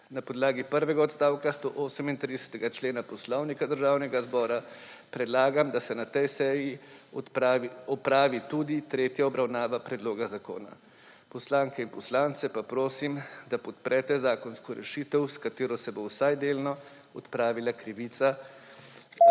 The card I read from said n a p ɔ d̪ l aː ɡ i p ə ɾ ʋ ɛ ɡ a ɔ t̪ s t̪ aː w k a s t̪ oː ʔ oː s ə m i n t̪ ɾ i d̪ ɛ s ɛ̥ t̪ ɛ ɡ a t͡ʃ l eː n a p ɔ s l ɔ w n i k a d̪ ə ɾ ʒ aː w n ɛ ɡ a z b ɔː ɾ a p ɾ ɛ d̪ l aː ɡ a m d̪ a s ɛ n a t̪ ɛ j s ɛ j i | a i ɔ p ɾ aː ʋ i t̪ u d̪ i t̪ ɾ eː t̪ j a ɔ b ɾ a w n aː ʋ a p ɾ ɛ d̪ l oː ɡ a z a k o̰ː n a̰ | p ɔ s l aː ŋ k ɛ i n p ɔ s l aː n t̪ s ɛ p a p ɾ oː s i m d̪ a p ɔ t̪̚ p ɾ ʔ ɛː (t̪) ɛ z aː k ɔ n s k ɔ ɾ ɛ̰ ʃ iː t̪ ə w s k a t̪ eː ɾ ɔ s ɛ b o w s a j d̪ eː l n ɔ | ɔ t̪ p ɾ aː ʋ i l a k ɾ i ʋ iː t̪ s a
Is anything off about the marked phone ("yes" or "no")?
no